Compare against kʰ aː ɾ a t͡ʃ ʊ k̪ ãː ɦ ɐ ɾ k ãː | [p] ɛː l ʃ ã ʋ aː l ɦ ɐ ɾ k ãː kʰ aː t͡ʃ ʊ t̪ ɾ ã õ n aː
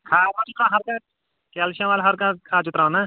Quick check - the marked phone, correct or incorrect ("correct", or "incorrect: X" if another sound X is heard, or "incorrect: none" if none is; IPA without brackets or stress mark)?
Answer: incorrect: k